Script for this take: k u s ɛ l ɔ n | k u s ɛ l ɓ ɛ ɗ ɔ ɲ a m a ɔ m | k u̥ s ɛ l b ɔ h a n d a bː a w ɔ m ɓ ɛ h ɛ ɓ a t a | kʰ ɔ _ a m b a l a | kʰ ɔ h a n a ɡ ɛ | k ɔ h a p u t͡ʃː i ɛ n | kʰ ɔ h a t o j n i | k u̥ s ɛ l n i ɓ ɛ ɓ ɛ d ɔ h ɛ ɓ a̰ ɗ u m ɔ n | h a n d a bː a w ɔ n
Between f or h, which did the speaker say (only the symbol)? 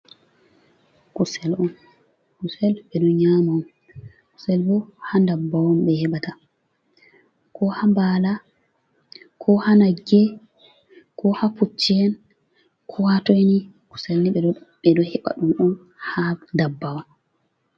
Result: h